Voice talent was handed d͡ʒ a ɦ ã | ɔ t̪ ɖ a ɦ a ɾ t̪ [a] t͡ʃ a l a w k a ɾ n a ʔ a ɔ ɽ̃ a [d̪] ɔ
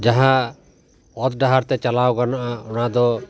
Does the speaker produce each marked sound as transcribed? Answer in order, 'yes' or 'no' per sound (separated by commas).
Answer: no, yes